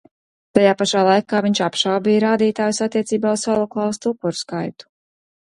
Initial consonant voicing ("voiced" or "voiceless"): voiceless